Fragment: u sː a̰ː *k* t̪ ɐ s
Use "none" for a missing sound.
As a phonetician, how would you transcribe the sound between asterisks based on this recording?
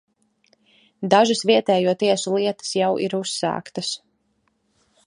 k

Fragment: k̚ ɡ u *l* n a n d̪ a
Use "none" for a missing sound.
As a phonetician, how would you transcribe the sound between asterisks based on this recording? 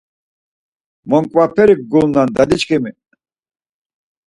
l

